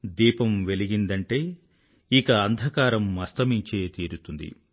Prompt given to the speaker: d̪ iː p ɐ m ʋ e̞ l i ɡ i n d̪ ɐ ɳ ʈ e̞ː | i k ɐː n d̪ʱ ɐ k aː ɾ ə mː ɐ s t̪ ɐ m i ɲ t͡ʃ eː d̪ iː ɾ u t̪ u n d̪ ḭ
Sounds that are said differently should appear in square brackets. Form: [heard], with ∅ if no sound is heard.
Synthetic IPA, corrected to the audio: d̪ iː p ɐ m ʋ e̞ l i ɡ i n d̪ ɐ ɳ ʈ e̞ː | i k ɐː n d̪ʱ ɐ k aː ɾ [ɐ] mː ɐ s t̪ ɐ m i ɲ t͡ʃ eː [t̪] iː ɾ u t̪ u n d̪ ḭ